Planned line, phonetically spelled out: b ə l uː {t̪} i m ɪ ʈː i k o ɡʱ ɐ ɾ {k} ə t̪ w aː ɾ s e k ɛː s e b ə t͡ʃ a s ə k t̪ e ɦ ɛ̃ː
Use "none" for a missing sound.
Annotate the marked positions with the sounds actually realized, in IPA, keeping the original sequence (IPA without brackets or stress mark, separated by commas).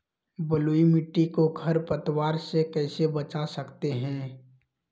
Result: none, p